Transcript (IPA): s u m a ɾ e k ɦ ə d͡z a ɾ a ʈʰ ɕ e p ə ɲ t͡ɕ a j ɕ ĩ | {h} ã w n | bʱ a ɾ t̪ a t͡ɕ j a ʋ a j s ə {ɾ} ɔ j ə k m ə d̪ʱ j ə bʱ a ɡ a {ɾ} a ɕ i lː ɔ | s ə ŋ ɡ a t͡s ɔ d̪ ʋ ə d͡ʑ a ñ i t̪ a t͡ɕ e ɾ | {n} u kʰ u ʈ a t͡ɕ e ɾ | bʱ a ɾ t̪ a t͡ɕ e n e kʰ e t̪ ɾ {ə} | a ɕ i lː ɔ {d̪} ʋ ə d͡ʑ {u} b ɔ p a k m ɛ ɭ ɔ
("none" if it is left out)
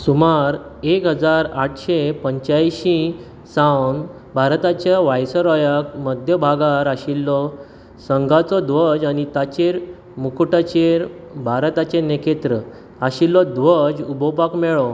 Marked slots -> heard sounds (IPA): s, ɾ, ɾ, m, ə, d̪, u

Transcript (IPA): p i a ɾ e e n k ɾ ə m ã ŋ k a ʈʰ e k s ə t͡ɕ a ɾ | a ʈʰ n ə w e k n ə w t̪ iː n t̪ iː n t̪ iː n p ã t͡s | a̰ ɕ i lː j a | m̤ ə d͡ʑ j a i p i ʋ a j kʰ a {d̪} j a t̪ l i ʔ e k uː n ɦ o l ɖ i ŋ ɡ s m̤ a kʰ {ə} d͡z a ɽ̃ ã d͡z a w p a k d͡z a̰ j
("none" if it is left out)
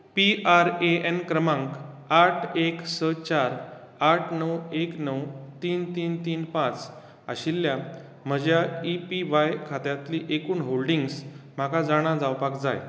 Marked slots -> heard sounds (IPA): t̪, a

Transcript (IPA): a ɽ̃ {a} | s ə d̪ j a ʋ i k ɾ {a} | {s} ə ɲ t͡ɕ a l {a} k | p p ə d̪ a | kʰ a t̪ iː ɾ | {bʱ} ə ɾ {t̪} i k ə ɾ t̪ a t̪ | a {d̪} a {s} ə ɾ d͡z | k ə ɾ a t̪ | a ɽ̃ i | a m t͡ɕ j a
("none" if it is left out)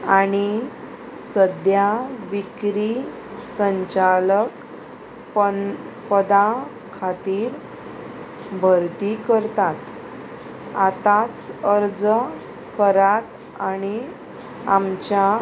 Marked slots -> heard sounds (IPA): i, i, s, ə, bʱ, t̪, t̪, t͡s

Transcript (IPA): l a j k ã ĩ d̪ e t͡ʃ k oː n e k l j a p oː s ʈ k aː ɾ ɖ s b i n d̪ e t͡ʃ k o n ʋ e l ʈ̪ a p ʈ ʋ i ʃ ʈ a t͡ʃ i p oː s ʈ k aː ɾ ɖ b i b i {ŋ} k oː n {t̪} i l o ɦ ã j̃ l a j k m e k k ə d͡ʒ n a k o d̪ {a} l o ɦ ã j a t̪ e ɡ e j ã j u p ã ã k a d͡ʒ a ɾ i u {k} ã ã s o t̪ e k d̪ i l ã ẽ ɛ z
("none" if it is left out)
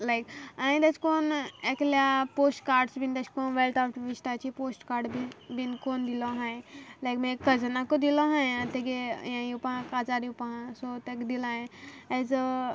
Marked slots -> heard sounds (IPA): n, d̪, i, p

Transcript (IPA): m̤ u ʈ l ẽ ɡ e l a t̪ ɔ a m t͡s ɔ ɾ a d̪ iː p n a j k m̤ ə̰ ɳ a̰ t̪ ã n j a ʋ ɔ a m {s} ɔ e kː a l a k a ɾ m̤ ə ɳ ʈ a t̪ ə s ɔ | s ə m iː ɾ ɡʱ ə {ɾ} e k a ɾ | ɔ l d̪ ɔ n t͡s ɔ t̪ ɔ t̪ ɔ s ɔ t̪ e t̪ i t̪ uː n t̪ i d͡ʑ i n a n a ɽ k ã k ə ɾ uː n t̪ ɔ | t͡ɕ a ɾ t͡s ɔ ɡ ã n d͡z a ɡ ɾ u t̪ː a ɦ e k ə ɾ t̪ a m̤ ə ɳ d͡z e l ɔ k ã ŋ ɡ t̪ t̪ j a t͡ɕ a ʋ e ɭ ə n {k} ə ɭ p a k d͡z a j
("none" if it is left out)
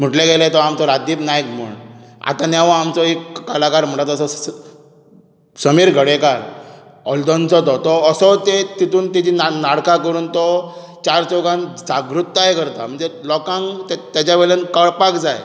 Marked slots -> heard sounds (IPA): t͡s, ɽ, k

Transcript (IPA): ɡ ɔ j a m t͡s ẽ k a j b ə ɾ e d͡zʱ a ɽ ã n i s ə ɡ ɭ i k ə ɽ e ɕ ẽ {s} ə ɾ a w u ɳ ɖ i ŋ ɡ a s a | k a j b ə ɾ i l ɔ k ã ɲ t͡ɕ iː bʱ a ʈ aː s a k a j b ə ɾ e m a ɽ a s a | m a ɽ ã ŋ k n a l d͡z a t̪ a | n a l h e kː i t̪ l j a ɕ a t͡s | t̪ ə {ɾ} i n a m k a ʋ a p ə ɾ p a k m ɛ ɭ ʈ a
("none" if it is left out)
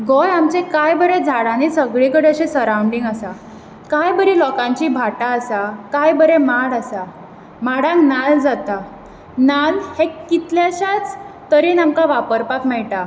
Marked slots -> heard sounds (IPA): s, ɾ

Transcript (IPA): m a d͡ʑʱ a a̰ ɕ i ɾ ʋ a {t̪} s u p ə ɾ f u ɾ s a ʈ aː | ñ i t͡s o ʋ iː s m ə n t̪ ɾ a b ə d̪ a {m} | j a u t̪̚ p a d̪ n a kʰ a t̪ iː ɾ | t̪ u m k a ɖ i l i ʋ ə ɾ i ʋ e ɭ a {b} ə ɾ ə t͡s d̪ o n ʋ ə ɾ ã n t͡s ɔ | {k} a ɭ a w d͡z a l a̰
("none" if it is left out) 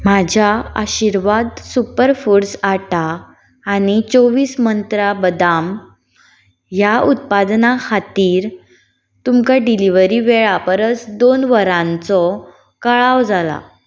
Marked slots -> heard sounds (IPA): d̪, m, p, k

